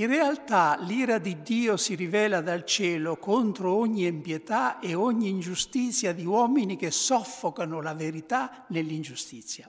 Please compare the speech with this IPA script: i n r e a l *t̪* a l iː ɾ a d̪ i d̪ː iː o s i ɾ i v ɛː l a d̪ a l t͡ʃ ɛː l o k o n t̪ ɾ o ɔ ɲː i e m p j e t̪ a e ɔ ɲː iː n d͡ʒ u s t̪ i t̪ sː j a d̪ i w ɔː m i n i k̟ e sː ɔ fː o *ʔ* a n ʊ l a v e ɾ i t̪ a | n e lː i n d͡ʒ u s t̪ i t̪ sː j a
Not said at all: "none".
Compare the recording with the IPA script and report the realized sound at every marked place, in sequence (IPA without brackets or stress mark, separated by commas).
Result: t̪, k